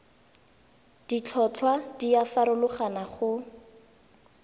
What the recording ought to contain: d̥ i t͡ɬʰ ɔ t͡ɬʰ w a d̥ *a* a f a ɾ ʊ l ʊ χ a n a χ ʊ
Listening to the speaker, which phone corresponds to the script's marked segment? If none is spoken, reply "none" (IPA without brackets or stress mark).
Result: i